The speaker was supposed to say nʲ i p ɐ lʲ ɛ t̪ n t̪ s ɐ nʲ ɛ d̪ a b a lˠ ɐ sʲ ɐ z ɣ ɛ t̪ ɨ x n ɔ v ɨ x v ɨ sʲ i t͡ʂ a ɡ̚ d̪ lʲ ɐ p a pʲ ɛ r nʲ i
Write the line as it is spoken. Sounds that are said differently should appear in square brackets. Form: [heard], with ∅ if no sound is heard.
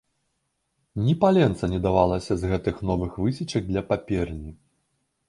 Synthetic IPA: nʲ i p [a] lʲ ɛ [∅] n t̪ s ɐ nʲ ɛ d̪ a [v] a lˠ ɐ sʲ ɐ z ɣ ɛ t̪ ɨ x n ɔ v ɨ x v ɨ sʲ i t͡ʂ [ɐ] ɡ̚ d̪ lʲ ɐ p a pʲ ɛ r nʲ i